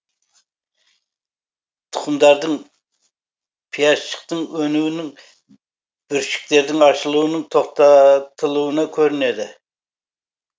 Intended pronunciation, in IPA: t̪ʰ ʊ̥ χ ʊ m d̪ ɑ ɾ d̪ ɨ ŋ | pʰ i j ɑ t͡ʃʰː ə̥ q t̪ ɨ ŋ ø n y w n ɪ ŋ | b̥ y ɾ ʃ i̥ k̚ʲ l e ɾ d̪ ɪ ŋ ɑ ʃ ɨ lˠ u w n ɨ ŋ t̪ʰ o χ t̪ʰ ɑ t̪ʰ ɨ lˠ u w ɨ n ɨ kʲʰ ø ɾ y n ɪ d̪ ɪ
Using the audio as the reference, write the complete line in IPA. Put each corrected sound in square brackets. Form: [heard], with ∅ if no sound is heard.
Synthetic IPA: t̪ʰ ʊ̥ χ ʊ m d̪ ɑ ɾ d̪ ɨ ŋ | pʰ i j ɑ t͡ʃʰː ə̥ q t̪ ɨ ŋ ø n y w n ɪ ŋ | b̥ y ɾ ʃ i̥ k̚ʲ l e ɾ d̪ ɪ ŋ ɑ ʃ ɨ lˠ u w n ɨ ŋ t̪ʰ o χ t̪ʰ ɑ t̪ʰ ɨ lˠ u w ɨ n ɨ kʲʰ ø ɾ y n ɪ d̪ ɪ

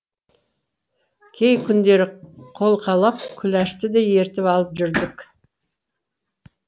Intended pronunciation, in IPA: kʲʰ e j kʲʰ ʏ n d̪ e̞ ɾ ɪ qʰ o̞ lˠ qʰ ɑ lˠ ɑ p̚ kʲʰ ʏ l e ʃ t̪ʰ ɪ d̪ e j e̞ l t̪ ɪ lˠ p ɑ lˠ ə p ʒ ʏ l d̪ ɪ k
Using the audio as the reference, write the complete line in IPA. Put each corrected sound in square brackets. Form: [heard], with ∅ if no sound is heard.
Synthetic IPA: kʲʰ e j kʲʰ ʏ n d̪ e̞ ɾ ɪ qʰ o̞ lˠ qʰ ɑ lˠ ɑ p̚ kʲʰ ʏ l [æ] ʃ [t̪] ɪ d̪ e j e̞ [ɾ] t̪ ɪ [∅] p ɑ lˠ ə p ʒ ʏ [ɾ] d̪ ɪ k

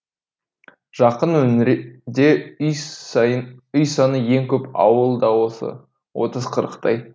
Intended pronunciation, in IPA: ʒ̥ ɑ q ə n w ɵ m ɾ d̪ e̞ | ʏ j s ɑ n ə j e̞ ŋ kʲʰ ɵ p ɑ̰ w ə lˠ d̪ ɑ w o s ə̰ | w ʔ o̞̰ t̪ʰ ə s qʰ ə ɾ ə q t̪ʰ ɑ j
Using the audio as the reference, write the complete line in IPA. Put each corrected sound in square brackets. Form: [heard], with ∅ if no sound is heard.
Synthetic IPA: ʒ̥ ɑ q ə n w ɵ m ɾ d̪ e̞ | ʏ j s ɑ n ə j e̞ ŋ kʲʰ ɵ p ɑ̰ w ə lˠ d̪ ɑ w o s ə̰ | w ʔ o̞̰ [t̪] ə [z] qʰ ə ɾ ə q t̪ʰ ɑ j

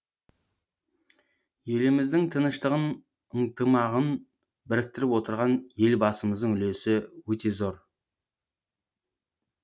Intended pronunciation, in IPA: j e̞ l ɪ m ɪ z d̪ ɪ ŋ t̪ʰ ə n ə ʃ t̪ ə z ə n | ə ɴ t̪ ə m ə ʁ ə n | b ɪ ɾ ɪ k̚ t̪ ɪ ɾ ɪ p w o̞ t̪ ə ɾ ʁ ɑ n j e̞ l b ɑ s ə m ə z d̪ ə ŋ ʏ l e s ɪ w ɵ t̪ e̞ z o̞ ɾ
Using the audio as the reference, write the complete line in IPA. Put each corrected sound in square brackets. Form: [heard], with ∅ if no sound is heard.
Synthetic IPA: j e̞ l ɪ m ɪ z d̪ ɪ ŋ t̪ʰ ə n ə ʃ t̪ ə [ʁ] ə n | ə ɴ t̪ ə m [ɑ] ʁ ə n | b ɪ ɾ ɪ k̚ t̪ ɪ ɾ ɪ p w o̞ t̪ ə ɾ ʁ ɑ n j e̞ l b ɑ s ə m ə z d̪ ə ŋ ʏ l e s ɪ w ɵ t̪ e̞ z o̞ ɾ

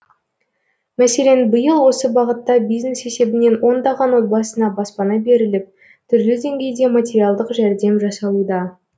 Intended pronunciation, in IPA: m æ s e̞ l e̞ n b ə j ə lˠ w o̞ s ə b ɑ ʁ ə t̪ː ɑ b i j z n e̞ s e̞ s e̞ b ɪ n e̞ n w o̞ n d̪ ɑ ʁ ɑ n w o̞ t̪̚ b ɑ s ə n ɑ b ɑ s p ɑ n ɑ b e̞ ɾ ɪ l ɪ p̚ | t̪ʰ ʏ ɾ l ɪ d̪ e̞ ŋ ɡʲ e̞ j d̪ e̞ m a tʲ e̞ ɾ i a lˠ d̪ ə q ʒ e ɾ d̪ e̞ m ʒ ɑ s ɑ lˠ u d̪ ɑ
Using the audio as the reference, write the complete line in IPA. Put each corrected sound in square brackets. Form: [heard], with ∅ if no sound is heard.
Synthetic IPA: m æ s e̞ l e̞ n b ə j ə lˠ w o̞ s ə b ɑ ʁ ə t̪ː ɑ b i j z n e̞ s e̞ s e̞ b ɪ n e̞ n w o̞ n d̪ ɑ ʁ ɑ n w o̞ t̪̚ b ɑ s ə n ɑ b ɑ s p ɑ n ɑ b e̞ ɾ ɪ l ɪ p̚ | t̪ʰ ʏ ɾ l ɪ d̪ e̞ ŋ ɡʲ e̞ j d̪ e̞ m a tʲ e̞ ɾ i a lˠ d̪ ə q ʒ [æ] ɾ d̪ e̞ m ʒ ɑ s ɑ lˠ u d̪ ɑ

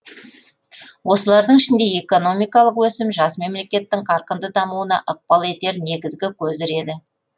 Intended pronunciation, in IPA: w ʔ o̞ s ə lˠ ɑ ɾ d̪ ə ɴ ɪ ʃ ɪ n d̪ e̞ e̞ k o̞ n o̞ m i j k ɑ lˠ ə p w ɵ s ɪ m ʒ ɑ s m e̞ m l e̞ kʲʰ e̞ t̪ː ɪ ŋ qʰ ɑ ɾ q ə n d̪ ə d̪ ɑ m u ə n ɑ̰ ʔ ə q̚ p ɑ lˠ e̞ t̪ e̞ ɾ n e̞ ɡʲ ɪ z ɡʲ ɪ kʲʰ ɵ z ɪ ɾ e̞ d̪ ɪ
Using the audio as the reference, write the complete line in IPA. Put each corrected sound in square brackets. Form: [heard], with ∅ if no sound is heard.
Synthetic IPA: w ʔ o̞ s ə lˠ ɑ ɾ d̪ ə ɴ ɪ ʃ ɪ n d̪ e̞ e̞ k o̞ n o̞ m i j k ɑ lˠ ə [q] w ɵ s ɪ m ʒ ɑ s m e̞ m l e̞ [kʲ] e̞ t̪ː ɪ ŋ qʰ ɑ ɾ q ə n d̪ ə d̪ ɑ m u ə n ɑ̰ ʔ ə q̚ p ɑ lˠ e̞ t̪ e̞ ɾ n e̞ ɡʲ ɪ z ɡʲ ɪ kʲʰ ɵ z ɪ ɾ e̞ d̪ ɪ

